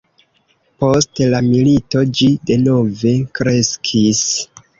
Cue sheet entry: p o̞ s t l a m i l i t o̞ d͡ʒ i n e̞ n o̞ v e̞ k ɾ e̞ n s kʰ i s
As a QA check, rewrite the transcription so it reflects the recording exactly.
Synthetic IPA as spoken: p o̞ s t l a m i l i t o̞ d͡ʒ i d e̞ n o̞ v e̞ k ɾ e̞ s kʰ i s